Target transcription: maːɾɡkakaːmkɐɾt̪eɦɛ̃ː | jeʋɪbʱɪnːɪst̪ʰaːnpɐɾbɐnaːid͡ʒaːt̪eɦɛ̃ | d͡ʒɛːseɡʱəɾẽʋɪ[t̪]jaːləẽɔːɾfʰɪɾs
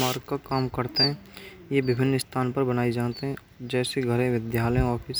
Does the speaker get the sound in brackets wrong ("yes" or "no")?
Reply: yes